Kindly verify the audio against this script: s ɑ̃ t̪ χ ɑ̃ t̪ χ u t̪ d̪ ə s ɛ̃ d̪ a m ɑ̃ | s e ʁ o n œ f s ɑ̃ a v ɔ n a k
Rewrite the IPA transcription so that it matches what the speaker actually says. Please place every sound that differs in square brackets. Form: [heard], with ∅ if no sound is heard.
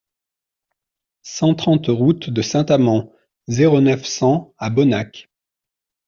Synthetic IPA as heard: s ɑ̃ t̪ χ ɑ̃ t̪ [ʁ] u t̪ d̪ ə s ɛ̃ [t̪] a m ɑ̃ | [z] e ʁ o n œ f s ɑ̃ a [b] ɔ n a k